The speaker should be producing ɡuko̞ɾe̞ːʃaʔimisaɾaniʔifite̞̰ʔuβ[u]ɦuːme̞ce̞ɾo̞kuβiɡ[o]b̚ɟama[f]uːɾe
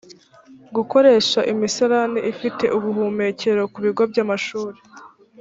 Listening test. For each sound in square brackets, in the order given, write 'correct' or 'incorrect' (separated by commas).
correct, correct, incorrect